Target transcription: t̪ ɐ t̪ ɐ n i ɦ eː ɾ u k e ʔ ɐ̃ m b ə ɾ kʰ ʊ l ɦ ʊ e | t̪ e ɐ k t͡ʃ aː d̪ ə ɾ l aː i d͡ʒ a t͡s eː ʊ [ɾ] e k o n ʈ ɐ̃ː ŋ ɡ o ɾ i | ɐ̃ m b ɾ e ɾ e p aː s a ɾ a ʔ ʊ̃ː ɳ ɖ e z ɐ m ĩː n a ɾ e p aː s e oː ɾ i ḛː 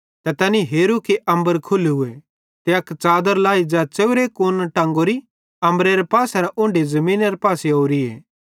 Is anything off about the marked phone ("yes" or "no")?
no